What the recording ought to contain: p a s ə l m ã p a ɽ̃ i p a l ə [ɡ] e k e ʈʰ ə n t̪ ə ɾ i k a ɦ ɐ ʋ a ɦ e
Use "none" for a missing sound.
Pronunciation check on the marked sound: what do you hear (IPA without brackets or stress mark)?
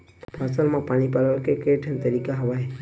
k